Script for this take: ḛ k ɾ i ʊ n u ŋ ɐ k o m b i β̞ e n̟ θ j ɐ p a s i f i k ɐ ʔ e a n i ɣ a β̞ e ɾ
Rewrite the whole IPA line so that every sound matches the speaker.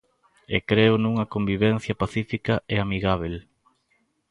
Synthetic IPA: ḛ k ɾ e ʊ n u ŋ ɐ k o m b i β̞ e n̟ θ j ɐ p a θ i f i k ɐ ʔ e a m i ɣ a β̞ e l